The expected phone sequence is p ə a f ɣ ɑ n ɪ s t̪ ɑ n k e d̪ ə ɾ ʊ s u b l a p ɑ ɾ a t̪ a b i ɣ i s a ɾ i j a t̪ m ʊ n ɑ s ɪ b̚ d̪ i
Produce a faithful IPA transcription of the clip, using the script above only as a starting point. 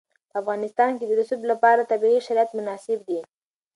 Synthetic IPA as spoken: p ə a f ɣ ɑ n ɪ s t̪ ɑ n k e d̪ ə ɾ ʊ s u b l a p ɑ ɾ a t̪ a b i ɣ i ʃ a ɾ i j a t̪ m ʊ n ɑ s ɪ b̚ d̪ i